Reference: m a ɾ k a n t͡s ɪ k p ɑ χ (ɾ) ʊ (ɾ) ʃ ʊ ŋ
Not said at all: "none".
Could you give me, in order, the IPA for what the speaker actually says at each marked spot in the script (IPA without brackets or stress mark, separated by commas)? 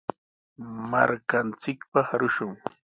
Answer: ɾ, none